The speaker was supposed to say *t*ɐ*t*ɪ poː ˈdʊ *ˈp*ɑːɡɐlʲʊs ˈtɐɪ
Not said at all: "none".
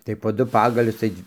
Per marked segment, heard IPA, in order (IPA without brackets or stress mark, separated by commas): t, none, p